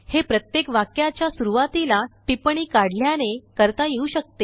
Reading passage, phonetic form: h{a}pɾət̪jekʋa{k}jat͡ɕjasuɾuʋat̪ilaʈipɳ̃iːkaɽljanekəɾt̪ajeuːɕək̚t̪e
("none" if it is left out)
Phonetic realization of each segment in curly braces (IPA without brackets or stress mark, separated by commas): e, k